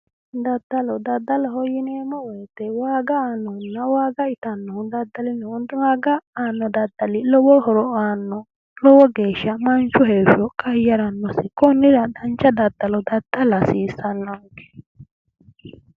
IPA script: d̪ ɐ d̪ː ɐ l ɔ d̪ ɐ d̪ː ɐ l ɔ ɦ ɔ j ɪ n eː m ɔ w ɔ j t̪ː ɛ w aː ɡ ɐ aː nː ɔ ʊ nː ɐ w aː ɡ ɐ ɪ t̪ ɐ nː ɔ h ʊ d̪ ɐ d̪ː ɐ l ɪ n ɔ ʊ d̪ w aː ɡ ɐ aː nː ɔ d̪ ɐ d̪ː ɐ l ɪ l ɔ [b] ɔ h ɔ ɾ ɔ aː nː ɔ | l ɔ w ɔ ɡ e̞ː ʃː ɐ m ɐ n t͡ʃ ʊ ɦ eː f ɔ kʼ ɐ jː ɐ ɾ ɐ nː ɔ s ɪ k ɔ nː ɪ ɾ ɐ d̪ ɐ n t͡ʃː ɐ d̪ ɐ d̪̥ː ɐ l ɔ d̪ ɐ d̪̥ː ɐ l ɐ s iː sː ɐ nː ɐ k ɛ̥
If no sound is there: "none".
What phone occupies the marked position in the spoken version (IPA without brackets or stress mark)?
w